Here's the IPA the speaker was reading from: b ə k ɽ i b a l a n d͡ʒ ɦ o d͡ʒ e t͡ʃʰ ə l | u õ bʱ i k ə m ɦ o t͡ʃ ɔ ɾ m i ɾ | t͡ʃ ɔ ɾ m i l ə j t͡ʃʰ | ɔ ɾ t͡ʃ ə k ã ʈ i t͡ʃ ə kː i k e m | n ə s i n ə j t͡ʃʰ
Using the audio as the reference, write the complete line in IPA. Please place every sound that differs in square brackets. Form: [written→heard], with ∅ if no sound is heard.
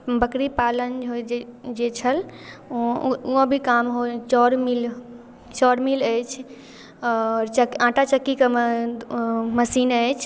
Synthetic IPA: b ə k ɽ i [b→p] a l [a→ə] n d͡ʒ ɦ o d͡ʒ e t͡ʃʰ ə l | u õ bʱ i k [ə→a] m ɦ o t͡ʃ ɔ ɾ m i [ɾ→l] | t͡ʃ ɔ ɾ m i l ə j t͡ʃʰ | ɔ ɾ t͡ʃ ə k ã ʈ [i→a] t͡ʃ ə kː i k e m | [n→m] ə s i n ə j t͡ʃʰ

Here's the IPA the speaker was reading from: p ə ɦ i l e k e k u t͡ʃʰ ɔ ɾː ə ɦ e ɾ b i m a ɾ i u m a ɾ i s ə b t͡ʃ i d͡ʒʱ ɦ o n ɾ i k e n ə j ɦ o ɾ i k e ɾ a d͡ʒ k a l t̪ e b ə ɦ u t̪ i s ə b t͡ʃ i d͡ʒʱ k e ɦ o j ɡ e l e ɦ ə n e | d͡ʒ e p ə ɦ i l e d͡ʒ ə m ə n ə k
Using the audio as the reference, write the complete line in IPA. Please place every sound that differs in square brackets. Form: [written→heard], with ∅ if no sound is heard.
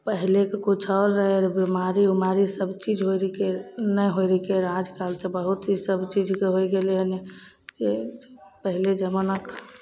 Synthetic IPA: p ə ɦ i l e k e k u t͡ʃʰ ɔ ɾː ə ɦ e ɾ b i m a ɾ i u m a ɾ i s ə b t͡ʃ i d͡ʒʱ ɦ o [n→∅] ɾ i k e n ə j ɦ o ɾ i k e ɾ a d͡ʒ k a l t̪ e b ə ɦ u t̪ i s ə b t͡ʃ i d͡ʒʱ k e ɦ o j ɡ e l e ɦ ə n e | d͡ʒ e p ə ɦ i l e d͡ʒ ə m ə n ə k

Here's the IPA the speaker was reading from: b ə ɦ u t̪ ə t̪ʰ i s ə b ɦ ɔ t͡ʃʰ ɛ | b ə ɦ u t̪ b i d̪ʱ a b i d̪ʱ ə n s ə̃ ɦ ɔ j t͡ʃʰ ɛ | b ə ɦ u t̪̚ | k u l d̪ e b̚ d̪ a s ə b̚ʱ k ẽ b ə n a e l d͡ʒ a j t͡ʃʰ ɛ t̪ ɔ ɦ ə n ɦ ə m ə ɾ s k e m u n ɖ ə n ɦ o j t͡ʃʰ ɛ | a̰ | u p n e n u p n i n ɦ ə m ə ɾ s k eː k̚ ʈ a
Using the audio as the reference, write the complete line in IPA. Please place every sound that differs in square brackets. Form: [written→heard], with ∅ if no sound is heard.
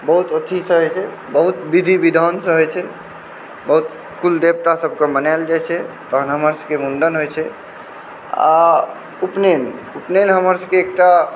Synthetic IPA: b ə ɦ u t̪ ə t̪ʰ i s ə [b→∅] ɦ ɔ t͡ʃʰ ɛ | b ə ɦ u t̪ b i d̪ʱ [a→i] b i d̪ʱ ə n s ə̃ ɦ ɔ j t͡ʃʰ ɛ | b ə ɦ u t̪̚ | k u l d̪ e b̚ [d̪→t̪] a s ə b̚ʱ k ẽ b ə n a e l d͡ʒ a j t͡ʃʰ ɛ t̪ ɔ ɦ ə n ɦ ə m ə ɾ s k e m u n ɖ ə n ɦ o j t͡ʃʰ ɛ | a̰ | u p n e n u p n [i→e] n ɦ ə m ə ɾ s k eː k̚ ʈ a

